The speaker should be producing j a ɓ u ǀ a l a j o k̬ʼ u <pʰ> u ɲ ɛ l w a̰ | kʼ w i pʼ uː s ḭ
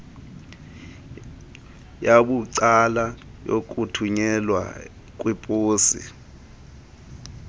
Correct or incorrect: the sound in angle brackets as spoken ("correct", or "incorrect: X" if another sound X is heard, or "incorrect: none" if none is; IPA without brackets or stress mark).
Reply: incorrect: tʰ